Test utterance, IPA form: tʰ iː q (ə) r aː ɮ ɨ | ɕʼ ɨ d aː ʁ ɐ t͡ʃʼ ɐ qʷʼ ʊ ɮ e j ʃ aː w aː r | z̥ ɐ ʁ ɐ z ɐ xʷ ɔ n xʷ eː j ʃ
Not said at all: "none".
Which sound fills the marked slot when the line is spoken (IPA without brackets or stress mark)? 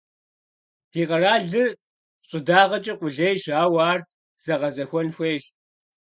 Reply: ɐ